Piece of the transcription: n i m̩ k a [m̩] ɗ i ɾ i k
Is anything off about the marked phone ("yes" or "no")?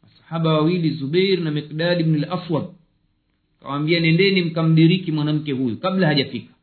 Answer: no